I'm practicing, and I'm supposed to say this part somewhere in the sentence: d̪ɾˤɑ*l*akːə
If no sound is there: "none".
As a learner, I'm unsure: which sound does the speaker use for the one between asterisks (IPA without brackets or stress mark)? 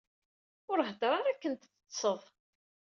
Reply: ɾ